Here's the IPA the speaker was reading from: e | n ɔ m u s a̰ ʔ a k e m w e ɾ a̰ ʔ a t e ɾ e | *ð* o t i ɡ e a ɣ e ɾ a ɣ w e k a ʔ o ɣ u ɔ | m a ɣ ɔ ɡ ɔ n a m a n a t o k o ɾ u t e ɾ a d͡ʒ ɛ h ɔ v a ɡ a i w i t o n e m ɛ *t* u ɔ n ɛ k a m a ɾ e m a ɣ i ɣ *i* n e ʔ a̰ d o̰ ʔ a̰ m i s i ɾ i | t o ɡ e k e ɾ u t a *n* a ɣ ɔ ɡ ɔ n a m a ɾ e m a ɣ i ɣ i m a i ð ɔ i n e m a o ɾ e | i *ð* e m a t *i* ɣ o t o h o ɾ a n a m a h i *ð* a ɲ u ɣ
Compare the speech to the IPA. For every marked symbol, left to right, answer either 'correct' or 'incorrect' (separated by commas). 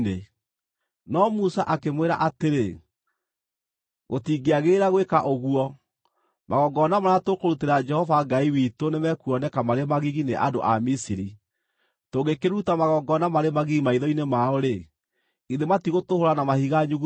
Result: incorrect, incorrect, correct, incorrect, correct, correct, incorrect